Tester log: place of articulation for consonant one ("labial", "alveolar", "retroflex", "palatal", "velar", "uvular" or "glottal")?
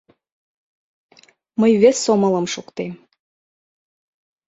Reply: labial